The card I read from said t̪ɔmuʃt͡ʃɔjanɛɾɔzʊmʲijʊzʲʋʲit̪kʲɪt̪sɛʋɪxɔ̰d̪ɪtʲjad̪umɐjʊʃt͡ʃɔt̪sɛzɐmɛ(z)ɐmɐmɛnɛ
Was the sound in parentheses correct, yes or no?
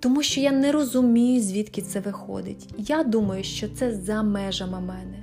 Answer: no